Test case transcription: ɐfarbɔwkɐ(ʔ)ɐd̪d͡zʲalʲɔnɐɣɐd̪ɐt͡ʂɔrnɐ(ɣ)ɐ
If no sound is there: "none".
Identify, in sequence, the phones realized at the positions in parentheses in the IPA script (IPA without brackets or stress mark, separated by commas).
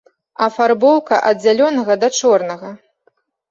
ʔ, ɣ